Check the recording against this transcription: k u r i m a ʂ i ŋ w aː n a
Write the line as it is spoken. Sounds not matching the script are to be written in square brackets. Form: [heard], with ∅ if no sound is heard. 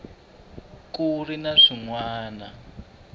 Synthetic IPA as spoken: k u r i [n] a ʂ i ŋ w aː n a

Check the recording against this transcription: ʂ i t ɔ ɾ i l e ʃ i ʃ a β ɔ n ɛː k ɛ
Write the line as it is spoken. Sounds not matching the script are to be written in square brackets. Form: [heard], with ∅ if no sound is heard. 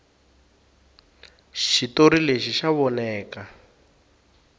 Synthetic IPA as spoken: [ʃ] i t [o] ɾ i l e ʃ i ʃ a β ɔ n ɛː k [a]

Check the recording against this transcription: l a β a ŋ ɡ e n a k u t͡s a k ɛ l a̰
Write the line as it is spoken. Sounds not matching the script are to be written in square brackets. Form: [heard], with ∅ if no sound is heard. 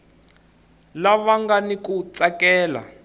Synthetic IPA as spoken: l a β a ŋ ɡ [a] n [i] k u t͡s a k [ɛː] l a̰

